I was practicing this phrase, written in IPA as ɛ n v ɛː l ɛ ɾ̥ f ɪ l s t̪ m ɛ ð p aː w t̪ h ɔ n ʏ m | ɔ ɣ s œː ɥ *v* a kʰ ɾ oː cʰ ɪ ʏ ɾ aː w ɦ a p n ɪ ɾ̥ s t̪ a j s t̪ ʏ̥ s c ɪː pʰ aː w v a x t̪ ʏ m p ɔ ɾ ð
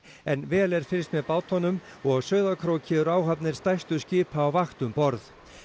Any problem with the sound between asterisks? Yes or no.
yes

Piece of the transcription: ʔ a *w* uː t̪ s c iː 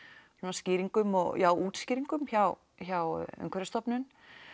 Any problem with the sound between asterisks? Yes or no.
no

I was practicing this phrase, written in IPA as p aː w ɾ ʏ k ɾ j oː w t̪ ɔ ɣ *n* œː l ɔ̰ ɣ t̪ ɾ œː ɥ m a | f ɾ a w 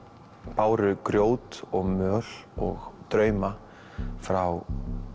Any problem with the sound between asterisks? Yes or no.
yes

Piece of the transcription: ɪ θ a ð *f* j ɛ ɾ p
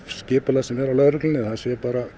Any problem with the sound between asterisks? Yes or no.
yes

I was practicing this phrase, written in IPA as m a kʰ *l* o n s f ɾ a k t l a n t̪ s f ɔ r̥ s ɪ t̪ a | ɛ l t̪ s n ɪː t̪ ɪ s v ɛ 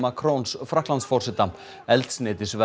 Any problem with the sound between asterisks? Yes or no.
yes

